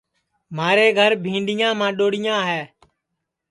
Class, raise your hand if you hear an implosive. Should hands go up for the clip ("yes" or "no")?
yes